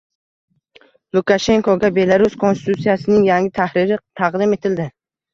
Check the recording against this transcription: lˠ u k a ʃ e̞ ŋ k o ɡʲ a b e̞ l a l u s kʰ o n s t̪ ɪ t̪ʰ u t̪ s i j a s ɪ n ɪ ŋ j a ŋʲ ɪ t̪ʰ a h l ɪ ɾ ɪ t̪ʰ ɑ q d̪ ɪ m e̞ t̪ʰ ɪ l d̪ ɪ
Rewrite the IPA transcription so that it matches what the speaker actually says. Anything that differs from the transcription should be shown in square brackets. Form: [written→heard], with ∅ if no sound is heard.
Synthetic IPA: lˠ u k a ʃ e̞ ŋ k o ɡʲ a b e̞ l a [l→ɾ] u s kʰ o n s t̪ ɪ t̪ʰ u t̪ s i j a s ɪ n ɪ ŋ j a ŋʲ ɪ t̪ʰ a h [l→ɾ] ɪ ɾ ɪ t̪ʰ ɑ q d̪ ɪ m e̞ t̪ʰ ɪ l d̪ ɪ